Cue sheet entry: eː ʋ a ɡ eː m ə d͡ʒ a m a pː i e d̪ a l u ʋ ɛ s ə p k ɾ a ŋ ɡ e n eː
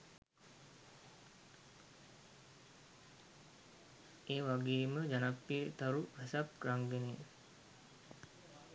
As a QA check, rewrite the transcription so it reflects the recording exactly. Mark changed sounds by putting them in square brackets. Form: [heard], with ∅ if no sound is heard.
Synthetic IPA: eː ʋ a ɡ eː m ə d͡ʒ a [n] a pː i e [t̪] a [ɾ] u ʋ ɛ s [a] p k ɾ a ŋ ɡ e n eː